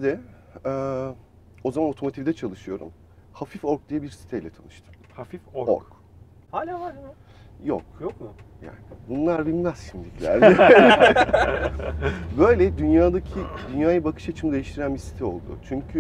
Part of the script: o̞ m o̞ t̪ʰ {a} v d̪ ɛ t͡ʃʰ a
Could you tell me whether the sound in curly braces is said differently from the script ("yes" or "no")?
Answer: yes